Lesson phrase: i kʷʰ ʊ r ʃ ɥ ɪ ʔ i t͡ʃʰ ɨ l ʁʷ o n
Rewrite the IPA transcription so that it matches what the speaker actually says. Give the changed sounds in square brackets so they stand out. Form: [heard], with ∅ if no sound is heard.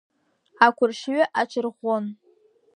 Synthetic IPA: [a] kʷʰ ʊ r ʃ ɥ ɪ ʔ [a] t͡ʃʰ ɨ [r] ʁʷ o n